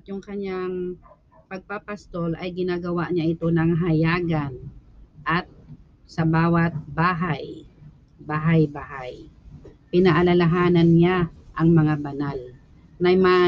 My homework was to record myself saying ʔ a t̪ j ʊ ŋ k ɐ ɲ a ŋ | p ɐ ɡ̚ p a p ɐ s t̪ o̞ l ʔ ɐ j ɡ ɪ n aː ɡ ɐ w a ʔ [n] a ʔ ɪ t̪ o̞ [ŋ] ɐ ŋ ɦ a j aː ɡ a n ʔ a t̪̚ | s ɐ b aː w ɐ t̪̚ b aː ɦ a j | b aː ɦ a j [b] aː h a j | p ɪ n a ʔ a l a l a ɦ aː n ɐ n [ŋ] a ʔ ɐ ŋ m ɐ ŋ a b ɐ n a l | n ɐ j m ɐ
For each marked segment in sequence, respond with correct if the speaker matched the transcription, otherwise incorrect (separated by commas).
incorrect, incorrect, correct, incorrect